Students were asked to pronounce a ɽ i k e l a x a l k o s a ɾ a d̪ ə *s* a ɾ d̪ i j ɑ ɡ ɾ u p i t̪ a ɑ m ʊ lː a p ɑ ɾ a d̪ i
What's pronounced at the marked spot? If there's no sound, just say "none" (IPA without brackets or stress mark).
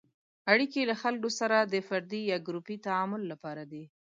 f